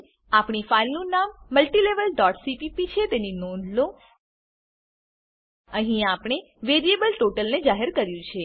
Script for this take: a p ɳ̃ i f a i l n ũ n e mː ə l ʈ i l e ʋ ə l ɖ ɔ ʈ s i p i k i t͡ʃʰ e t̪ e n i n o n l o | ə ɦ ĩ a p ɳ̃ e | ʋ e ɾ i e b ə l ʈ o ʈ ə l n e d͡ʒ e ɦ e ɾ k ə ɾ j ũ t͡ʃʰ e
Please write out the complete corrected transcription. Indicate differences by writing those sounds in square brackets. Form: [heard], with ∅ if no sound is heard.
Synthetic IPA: a p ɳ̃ i f a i l n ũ n [a] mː ə l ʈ i l e ʋ ə l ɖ ɔ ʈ s i p i [p] i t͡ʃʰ e t̪ e n i n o n l o | ə ɦ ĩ a p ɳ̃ e | ʋ e ɾ i e b ə l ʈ o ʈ ə l n e d͡ʒ [a] ɦ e ɾ k ə ɾ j ũ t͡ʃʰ e